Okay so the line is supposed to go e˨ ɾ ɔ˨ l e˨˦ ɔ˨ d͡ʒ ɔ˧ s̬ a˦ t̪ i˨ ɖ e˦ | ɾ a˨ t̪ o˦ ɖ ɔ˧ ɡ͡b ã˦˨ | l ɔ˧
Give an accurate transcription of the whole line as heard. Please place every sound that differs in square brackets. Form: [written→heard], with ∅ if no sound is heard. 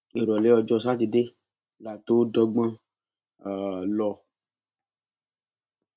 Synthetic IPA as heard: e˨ ɾ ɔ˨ l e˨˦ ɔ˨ d͡ʒ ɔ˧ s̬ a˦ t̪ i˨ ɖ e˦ | [ɾ→l] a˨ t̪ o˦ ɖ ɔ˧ ɡ͡b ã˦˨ | l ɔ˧